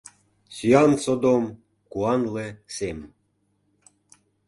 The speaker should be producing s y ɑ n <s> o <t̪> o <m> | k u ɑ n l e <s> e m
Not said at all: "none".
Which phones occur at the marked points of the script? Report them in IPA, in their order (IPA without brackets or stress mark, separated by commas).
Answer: s, d̪, m, s